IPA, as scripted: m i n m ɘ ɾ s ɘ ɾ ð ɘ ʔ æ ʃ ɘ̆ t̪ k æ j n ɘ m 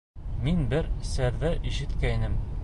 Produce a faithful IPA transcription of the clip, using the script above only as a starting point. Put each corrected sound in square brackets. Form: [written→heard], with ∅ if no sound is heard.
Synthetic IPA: m i n [m→b] ɘ ɾ s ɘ ɾ ð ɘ ʔ [æ→i] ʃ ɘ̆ t̪ k æ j n ɘ m